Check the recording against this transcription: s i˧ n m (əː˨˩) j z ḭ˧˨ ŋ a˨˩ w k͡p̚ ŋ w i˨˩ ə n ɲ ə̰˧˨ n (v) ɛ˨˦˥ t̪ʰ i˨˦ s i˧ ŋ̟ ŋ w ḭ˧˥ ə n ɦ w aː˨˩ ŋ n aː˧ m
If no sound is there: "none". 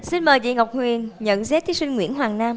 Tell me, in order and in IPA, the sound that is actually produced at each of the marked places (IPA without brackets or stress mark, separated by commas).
əː˨˩, z